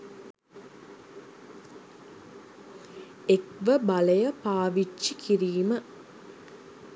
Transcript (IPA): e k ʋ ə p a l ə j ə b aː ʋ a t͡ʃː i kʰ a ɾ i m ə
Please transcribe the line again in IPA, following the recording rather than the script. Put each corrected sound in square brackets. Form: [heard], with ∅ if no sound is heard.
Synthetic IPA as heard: e k ʋ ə [b] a l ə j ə [p] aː ʋ [i] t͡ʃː i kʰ [i] ɾ [iː] m ə

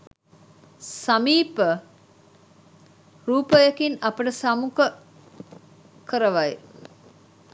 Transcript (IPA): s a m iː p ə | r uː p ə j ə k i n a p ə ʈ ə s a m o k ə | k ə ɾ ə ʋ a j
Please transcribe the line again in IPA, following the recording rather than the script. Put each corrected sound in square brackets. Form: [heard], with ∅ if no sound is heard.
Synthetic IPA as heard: s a m iː p ə | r uː p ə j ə k i n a p ə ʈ ə s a m [u] k ə | k ə ɾ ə ʋ a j

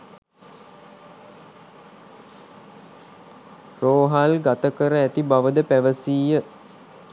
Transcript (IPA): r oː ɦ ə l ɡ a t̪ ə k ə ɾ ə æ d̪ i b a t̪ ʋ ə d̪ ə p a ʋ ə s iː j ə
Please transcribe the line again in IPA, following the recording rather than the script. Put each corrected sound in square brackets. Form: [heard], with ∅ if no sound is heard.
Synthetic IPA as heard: r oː ɦ [a] l ɡ a t̪ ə k ə ɾ ə æ [t̪] i b a [∅] ʋ ə d̪ ə p [æ] ʋ ə s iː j ə

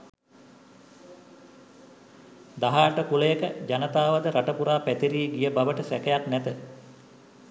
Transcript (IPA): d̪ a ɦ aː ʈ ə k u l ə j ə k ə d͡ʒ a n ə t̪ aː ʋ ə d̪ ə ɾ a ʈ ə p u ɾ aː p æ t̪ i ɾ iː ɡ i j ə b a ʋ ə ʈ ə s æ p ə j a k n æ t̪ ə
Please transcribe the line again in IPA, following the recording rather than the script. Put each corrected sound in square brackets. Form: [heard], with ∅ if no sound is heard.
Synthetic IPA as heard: d̪ a ɦ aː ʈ ə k u l ə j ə k ə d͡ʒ a n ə t̪ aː ʋ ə d̪ ə ɾ a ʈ ə p u ɾ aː p æ t̪ i ɾ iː ɡ i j ə b a ʋ ə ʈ ə s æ [k] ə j a k n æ t̪ ə

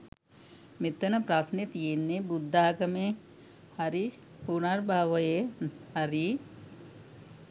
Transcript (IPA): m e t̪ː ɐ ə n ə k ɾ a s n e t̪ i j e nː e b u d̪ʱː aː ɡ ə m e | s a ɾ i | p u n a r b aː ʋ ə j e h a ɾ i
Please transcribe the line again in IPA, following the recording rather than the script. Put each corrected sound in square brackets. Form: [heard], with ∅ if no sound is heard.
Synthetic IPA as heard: m e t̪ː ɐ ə n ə [p] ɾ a s n e t̪ i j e nː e b u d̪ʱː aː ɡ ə m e | [h] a ɾ i | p u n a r b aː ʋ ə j e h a ɾ i

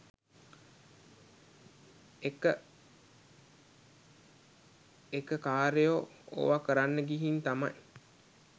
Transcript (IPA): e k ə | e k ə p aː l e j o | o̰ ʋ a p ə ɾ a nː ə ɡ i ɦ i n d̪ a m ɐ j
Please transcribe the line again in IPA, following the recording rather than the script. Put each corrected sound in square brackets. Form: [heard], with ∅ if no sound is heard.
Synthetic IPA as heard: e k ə | e k ə [k] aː [ɾ] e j o | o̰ ʋ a [k] ə ɾ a nː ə ɡ i ɦ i n [t̪] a m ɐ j

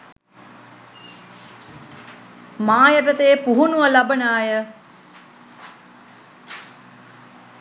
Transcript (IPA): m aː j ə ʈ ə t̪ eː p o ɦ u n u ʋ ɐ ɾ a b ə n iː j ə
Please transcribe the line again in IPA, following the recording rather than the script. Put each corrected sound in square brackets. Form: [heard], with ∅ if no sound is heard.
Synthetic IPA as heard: m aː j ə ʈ ə t̪ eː p [u] ɦ u n u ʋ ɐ [l] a b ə n [aː] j ə

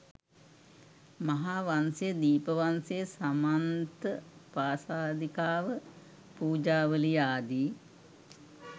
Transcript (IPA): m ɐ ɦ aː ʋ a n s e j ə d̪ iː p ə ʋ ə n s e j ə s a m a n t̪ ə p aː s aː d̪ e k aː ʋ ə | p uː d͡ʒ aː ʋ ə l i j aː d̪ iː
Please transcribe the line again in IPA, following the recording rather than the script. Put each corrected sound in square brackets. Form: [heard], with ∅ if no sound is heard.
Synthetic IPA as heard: m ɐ ɦ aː ʋ a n s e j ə d̪ iː p ə ʋ [a] n s e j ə s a m a n t̪ ə p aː s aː d̪ [i] k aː ʋ ə | p uː d͡ʒ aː ʋ ə l i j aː d̪ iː

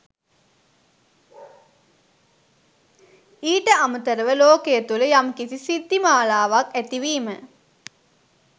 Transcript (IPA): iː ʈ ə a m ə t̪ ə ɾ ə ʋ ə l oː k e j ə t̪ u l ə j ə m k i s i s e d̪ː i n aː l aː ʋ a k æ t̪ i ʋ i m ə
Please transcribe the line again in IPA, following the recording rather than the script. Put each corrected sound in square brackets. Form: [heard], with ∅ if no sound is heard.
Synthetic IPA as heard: iː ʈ ə a m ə t̪ ə ɾ ə ʋ ə l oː k e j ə t̪ u l ə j [a] m k i s i s [i] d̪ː i [m] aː l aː ʋ a k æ t̪ i ʋ [iː] m ə

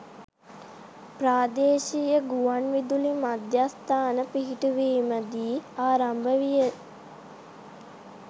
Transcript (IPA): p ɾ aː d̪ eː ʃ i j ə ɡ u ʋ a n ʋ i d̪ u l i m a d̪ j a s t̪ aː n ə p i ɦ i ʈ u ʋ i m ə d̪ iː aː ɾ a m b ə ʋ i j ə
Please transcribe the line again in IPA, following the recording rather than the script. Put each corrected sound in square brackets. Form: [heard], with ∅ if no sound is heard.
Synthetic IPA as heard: p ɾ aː d̪ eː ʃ i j ə ɡ u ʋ a n ʋ i d̪ u l i m a d̪ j a s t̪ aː n ə p i ɦ i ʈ u ʋ [iː] m ə d̪ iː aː ɾ a m b ə ʋ i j ə

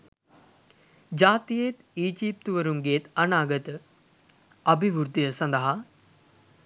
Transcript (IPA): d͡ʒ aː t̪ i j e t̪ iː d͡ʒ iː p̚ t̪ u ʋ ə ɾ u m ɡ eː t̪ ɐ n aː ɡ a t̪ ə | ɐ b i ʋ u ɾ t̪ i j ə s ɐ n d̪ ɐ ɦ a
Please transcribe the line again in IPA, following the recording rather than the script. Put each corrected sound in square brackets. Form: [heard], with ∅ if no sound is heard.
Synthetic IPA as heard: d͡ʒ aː t̪ i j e t̪ iː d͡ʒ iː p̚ t̪ u ʋ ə ɾ u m ɡ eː t̪ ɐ n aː ɡ [ə] t̪ ə | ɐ b i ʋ u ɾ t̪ i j ə s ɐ n d̪ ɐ ɦ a

